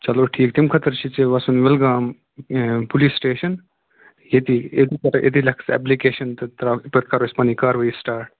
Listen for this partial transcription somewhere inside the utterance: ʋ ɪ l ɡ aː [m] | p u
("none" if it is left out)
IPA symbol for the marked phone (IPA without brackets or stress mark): m